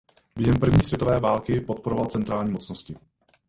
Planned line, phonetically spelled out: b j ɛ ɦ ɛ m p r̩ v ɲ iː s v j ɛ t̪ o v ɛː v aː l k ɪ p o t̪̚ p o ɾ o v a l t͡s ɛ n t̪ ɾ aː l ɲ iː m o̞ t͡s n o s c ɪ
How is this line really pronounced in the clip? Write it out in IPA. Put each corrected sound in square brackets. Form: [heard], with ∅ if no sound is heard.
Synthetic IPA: b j ɛ ɦ ɛ m p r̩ v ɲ iː s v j ɛ t̪ o v ɛː v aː l k ɪ p o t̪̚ p o ɾ o v a l t͡s ɛ n t̪ ɾ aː l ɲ iː m o̞ t͡s n o s c ɪ